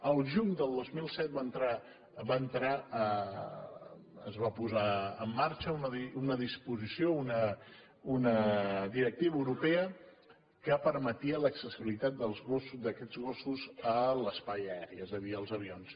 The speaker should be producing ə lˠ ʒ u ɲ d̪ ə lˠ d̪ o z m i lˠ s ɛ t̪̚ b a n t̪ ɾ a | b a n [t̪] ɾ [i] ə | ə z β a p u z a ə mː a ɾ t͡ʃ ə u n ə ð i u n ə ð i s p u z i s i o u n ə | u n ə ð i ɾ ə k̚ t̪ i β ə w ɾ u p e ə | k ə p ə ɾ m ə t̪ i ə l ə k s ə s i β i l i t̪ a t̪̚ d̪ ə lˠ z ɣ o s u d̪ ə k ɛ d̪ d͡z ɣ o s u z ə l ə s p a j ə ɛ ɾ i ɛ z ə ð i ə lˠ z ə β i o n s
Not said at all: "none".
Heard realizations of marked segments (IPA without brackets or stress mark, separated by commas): t̪, a